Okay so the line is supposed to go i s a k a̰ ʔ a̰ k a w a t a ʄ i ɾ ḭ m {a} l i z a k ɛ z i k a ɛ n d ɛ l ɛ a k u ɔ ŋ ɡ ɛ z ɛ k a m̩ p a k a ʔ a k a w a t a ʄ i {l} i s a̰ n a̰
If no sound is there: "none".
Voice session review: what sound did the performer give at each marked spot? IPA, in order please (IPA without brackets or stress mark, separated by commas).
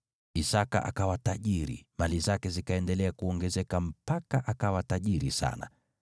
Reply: a, ɾ